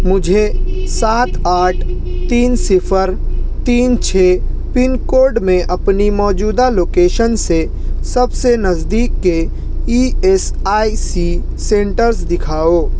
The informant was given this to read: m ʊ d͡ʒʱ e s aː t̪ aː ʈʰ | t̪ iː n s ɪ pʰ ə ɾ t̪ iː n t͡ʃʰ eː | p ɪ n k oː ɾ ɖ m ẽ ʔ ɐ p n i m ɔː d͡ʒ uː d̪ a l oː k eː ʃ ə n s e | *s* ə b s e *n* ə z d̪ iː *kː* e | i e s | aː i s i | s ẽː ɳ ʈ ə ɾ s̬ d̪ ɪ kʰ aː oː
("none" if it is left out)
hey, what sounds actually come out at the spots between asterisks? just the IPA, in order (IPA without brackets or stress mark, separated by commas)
s, n, kː